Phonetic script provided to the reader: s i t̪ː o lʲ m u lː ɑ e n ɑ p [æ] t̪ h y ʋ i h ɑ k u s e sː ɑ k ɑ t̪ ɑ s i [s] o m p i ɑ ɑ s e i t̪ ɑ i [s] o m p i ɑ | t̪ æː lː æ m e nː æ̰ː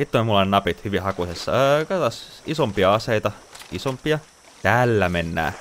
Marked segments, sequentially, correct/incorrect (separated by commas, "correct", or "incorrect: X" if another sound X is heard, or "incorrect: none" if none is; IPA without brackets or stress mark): incorrect: i, correct, correct